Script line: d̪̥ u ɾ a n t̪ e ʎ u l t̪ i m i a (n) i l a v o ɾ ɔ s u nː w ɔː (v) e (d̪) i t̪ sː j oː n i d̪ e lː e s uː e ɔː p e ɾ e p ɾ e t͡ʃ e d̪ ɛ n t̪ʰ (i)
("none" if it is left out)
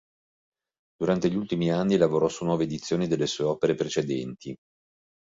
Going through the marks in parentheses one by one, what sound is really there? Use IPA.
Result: nː, v, d̪, i

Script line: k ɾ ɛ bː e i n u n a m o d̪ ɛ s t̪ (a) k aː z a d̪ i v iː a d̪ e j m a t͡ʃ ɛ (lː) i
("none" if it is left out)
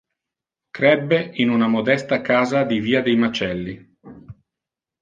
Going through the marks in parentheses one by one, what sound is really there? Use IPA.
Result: a, lː

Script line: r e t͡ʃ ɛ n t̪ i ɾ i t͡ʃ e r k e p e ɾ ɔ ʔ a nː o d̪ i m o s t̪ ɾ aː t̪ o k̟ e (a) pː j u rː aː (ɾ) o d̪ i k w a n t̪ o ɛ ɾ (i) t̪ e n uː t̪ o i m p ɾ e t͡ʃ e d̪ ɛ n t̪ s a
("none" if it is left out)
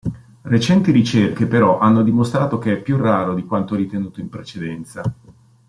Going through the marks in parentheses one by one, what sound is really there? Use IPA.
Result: ɛ, ɾ, i

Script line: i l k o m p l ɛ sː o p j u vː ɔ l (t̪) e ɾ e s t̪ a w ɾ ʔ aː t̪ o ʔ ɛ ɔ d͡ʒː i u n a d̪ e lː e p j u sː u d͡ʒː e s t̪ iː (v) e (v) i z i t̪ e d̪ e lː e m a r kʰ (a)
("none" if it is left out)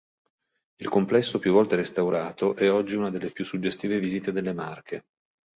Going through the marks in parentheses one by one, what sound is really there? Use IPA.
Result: t̪, v, v, e

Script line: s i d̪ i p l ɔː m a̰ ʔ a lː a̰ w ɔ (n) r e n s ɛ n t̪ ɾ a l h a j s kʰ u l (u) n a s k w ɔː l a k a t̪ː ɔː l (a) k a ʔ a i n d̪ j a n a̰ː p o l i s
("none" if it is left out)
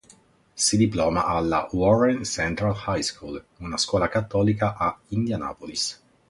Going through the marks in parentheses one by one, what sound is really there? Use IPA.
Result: none, u, i

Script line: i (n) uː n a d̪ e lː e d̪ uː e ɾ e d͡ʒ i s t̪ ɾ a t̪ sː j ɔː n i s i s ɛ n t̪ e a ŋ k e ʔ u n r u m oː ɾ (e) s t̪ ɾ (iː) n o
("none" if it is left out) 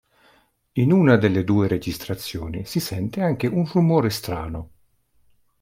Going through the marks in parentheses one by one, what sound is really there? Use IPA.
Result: n, e, aː

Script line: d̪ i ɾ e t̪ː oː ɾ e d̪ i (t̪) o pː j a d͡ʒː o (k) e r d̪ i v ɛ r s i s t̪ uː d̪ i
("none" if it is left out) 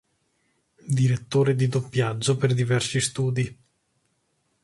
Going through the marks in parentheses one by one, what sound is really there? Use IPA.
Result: d̪, p

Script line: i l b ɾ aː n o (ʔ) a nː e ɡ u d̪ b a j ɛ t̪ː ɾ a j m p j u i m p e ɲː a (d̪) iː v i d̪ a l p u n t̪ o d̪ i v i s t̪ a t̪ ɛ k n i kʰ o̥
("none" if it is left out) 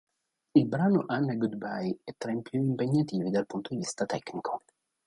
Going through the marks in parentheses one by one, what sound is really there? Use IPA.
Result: ʔ, t̪

